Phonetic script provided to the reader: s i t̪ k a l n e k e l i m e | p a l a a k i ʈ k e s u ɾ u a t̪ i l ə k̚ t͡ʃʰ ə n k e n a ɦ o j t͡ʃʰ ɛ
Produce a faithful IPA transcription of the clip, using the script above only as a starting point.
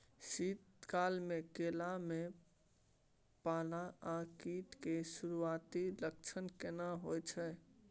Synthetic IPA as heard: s i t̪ k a l m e k e l a m e | p a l a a k i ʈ k e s u ɾ u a t̪ i l ə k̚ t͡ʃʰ ə n k e n a ɦ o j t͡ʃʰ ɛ